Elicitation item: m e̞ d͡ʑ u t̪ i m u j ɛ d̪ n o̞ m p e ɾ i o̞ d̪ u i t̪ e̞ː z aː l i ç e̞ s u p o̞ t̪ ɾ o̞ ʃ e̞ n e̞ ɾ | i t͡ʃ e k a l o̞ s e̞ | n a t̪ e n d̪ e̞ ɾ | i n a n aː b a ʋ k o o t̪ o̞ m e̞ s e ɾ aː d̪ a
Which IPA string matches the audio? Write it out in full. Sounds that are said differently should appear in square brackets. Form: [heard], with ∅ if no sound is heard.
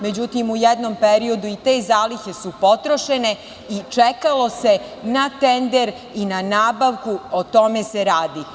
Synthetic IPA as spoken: m e̞ d͡ʑ u t̪ i m u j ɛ d̪ n o̞ m p e ɾ i o̞ d̪ u i t̪ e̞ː z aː l i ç e̞ s u p o̞ t̪ ɾ o̞ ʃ e̞ n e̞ [∅] | i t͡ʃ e k a l o̞ s e̞ | n a t̪ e n d̪ e̞ ɾ | i n a n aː b a ʋ k [u] o t̪ o̞ m e̞ s e ɾ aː d̪ [i]

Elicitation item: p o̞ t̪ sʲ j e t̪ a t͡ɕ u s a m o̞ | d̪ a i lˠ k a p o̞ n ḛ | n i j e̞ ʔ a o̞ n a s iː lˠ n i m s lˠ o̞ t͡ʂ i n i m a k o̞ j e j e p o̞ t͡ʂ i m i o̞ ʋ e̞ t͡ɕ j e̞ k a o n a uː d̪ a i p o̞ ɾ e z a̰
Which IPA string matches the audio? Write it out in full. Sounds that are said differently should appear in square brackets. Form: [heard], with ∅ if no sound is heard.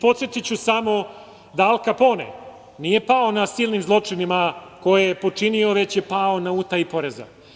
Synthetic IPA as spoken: p o̞ t̪ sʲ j e t̪ [i] t͡ɕ u s a m o̞ | d̪ a [a] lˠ k a p o̞ n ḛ | n i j e̞ [p] a o̞ n a s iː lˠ n i m [z] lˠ o̞ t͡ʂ i n i m a k o̞ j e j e p o̞ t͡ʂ i [n] i o̞ ʋ e̞ t͡ɕ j e̞ [p] a o n a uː [t̪] a i p o̞ ɾ e z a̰

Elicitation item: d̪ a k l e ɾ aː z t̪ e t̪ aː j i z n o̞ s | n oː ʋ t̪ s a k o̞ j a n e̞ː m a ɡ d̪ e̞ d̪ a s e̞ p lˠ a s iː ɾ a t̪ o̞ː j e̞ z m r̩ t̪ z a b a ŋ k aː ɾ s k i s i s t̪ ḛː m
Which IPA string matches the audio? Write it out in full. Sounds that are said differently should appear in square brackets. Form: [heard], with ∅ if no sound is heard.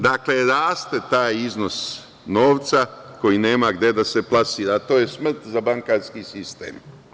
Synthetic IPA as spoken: d̪ a k l e ɾ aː [s] t̪ e t̪ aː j i z n o̞ s | n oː ʋ t̪ s a k o̞ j [i] n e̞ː m a ɡ d̪ e̞ d̪ a s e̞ p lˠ a s iː ɾ a t̪ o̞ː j e̞ [s] m r̩ t̪ z a b a ŋ k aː ɾ s k i s i s t̪ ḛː m

